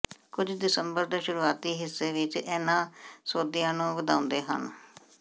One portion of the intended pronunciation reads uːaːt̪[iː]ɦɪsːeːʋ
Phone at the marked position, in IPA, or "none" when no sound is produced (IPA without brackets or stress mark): iː